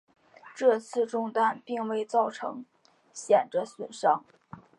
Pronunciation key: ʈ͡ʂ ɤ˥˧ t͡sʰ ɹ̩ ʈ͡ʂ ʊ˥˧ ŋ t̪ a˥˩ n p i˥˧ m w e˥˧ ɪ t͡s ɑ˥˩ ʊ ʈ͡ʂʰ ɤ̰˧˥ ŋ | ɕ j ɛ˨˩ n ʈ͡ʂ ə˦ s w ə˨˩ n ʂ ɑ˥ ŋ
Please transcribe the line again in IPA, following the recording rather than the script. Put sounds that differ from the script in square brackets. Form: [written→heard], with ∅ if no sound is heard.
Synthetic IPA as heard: ʈ͡ʂ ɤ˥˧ t͡sʰ ɹ̩ ʈ͡ʂ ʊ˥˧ ŋ t̪ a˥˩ n p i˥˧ [m→ŋ] w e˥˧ ɪ t͡s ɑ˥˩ ʊ ʈ͡ʂʰ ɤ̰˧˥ ŋ | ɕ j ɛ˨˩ n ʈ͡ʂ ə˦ s w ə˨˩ n ʂ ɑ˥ ŋ